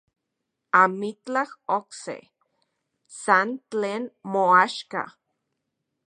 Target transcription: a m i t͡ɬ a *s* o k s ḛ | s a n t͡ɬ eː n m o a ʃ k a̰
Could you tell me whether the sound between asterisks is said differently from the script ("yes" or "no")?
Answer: yes